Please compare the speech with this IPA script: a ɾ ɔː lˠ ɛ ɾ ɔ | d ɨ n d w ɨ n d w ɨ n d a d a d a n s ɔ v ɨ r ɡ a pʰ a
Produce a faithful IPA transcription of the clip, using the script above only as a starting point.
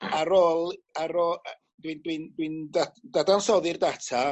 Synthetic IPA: a ɾ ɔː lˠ a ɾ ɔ | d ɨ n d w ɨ n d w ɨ n d a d a d a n s ɔ ð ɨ r d a tʰ a